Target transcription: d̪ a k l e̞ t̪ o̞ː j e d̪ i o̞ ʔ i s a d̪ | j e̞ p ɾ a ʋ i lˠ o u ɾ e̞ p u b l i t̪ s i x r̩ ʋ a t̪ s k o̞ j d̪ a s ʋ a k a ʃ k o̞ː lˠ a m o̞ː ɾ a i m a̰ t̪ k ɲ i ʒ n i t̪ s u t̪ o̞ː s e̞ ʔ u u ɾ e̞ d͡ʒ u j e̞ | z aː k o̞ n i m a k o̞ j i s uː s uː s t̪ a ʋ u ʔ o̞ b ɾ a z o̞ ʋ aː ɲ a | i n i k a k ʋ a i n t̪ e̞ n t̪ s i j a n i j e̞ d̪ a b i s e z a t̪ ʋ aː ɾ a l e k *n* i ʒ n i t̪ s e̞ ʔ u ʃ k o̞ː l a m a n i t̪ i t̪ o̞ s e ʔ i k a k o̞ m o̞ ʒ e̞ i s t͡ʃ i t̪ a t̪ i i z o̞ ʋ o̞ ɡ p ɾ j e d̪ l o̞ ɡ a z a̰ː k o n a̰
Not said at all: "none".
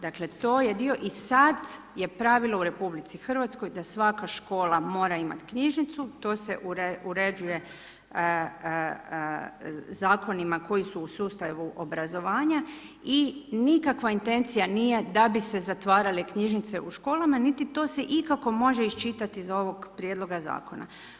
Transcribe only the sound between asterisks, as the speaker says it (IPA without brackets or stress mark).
ɲ